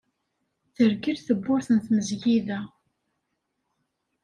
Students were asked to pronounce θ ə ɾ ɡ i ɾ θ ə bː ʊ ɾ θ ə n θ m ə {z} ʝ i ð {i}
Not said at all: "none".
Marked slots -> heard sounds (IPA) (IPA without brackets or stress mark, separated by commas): z, æ